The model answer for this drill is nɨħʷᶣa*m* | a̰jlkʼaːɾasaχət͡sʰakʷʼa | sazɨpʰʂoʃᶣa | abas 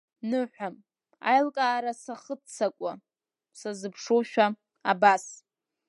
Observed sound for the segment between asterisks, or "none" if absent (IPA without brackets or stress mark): m